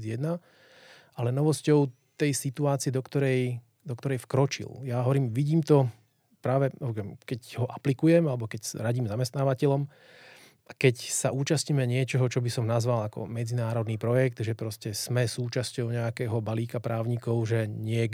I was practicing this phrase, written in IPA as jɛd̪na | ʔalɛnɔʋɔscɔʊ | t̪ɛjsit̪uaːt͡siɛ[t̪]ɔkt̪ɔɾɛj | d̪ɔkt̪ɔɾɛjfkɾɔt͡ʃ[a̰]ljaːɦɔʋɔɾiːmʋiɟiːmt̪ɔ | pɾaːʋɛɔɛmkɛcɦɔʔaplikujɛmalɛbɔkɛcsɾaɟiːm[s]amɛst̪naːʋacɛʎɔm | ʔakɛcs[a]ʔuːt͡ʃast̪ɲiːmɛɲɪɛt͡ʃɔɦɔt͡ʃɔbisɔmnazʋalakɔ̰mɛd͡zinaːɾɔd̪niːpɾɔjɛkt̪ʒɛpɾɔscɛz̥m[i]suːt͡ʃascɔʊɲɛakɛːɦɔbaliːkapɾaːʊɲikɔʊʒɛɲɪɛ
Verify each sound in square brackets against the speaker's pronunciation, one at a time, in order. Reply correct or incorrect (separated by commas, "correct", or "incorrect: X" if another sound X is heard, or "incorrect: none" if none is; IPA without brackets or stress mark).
incorrect: d̪, incorrect: ḭ, incorrect: z, correct, incorrect: ɛ